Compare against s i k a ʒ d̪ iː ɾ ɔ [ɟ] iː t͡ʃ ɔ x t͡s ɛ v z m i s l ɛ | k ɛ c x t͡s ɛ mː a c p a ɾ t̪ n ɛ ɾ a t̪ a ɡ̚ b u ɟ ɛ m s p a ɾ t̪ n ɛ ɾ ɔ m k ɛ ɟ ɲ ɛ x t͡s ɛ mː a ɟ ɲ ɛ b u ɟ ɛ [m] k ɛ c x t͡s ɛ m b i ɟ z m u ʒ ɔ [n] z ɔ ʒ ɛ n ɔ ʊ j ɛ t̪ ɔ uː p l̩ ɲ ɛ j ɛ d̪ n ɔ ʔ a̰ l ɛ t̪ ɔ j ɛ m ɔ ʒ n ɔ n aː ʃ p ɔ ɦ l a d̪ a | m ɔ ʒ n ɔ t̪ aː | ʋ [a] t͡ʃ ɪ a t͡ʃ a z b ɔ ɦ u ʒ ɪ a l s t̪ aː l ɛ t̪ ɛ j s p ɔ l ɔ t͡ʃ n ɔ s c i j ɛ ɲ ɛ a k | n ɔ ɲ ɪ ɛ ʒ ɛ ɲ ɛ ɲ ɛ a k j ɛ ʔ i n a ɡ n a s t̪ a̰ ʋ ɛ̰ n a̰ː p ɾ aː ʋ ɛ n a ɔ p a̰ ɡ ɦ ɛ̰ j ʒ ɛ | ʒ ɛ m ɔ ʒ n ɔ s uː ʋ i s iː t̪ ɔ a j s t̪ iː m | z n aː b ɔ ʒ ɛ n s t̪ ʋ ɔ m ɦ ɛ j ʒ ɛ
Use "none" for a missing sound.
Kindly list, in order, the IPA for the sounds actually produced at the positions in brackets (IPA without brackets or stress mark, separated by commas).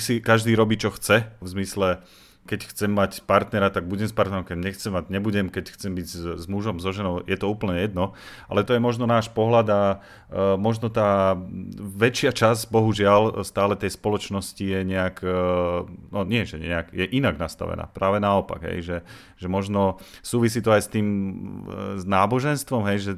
b, m, m, ɛ